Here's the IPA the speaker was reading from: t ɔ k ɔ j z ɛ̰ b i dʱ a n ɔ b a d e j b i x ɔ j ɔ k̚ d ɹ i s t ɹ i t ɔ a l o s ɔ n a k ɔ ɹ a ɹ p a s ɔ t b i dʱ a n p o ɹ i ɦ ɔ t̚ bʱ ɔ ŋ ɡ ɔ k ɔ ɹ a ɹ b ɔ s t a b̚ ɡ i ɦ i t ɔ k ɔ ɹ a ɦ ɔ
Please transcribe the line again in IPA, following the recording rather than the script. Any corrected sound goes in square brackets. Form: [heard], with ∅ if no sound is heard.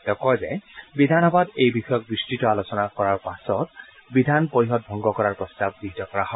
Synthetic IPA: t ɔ k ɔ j z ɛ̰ b i dʱ a n ɔ b a d e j b i x ɔ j ɔ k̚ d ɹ i s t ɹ i t ɔ a l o s ɔ n a k ɔ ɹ a ɹ p a s ɔ t b i dʱ a n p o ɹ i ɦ ɔ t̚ bʱ ɔ ŋ ɡ ɔ k ɔ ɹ a ɹ [p] ɔ s t a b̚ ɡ i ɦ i t ɔ k ɔ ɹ a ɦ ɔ